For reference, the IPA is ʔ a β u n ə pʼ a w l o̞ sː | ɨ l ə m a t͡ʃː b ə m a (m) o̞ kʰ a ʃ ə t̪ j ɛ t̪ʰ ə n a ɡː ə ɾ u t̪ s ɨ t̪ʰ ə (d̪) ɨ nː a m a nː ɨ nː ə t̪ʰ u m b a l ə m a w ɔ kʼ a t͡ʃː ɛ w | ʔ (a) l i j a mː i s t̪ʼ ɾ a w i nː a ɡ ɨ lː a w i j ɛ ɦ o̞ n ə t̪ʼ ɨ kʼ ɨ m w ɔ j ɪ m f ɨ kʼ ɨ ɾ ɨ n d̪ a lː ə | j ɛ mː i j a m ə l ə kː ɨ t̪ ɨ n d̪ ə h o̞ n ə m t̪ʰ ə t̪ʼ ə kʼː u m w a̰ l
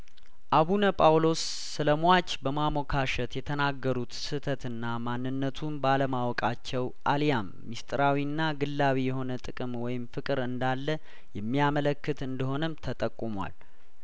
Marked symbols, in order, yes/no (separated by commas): yes, no, yes